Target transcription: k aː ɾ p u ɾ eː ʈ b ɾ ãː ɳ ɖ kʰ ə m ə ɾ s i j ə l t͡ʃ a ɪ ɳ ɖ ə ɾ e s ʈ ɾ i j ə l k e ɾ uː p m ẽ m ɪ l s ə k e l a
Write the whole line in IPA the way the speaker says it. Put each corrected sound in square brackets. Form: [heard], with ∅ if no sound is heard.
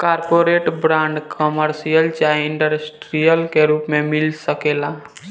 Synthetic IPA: k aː ɾ p [o] ɾ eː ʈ b ɾ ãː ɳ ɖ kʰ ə m ə ɾ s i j ə l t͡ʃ a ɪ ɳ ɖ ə ɾ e s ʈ ɾ i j ə l k e ɾ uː p m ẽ m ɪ l s ə k e l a